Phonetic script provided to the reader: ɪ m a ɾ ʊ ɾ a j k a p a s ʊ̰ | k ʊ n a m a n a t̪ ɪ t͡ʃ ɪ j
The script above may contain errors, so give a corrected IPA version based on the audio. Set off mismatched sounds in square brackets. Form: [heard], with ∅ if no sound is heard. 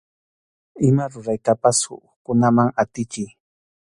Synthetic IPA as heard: ɪ m a ɾ ʊ ɾ a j k a p a s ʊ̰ | k ʊ n a m a [ŋ] a t̪ ɪ t͡ʃ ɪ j